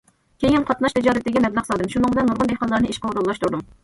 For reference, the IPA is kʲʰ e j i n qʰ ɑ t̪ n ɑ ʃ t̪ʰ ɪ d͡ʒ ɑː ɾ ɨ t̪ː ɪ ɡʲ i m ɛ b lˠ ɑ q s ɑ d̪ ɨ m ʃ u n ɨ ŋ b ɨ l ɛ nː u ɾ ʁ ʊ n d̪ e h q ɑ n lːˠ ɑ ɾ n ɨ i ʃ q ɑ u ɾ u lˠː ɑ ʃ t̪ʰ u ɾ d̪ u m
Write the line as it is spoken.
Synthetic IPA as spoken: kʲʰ e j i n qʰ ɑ t̪ n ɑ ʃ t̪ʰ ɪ d͡ʒ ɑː ɾ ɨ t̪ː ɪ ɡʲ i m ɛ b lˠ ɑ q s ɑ d̪ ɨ m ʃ u n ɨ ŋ b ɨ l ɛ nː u ɾ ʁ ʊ n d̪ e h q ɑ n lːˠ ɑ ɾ n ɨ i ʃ q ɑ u ɾ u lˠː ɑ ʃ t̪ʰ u ɾ d̪ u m